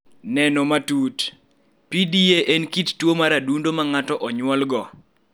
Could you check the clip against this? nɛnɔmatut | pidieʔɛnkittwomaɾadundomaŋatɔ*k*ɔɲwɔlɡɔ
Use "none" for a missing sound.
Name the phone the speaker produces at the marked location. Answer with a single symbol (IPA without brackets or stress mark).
ʔ